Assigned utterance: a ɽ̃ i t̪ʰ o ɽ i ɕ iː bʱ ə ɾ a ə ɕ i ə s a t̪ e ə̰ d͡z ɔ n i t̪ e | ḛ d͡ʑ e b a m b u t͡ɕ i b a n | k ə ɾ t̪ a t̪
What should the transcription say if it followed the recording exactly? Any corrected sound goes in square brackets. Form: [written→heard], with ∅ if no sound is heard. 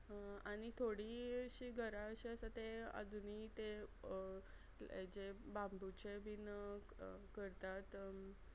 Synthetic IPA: a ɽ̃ i t̪ʰ o ɽ i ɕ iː [bʱ→ɡʱ] ə ɾ a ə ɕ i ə s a t̪ e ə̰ d͡z [ɔ→u] n i t̪ e | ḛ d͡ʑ e b a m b u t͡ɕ [i→e] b [a→i] n | k ə ɾ t̪ a t̪